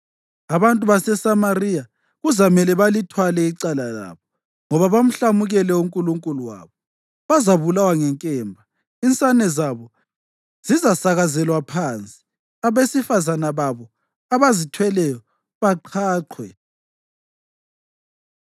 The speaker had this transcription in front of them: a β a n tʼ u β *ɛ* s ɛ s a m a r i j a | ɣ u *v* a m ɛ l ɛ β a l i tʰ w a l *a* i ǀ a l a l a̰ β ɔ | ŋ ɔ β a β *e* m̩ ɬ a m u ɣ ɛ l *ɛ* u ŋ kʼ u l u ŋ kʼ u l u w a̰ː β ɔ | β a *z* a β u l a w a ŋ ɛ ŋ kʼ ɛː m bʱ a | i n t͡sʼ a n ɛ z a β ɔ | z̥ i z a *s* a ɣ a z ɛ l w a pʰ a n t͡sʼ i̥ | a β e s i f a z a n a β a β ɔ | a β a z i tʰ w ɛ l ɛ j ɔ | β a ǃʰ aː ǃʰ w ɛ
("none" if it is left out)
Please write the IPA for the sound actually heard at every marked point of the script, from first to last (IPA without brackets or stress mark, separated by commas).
a, z, ɛ, a, ɛ, z, s